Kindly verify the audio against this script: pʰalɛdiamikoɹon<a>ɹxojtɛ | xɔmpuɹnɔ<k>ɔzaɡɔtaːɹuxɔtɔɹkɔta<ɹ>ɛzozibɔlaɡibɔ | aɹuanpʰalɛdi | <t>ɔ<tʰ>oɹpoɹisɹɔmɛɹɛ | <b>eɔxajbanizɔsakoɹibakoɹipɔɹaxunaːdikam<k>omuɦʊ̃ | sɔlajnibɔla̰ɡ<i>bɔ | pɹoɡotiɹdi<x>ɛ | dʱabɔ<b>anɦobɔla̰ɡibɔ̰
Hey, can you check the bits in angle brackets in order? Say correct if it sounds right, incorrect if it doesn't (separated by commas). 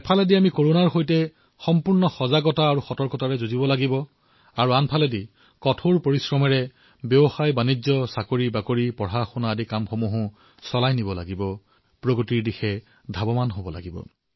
correct, incorrect, correct, incorrect, correct, correct, incorrect, correct, correct, incorrect